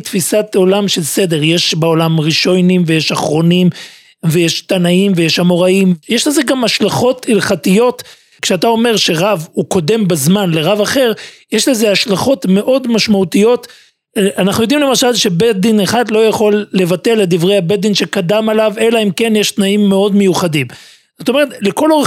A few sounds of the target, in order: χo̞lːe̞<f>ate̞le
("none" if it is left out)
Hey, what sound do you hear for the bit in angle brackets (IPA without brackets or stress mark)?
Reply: v